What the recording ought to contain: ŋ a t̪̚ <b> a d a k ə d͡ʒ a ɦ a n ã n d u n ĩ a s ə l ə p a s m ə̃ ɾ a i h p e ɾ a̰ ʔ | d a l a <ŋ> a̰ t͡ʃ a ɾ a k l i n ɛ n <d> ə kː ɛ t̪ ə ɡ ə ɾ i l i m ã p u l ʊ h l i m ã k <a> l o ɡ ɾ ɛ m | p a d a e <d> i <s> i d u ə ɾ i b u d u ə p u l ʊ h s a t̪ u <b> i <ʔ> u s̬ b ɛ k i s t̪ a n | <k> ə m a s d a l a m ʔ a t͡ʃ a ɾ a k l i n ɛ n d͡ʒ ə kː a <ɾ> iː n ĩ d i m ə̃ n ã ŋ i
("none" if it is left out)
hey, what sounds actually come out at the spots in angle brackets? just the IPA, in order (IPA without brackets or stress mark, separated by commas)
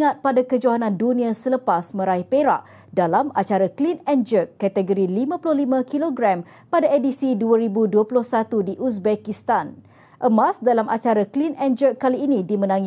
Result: p, m, d͡ʒ, i, d, s, d, ʔ, ʔ, l